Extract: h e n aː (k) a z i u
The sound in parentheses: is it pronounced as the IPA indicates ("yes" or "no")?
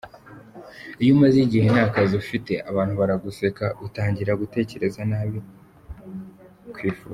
yes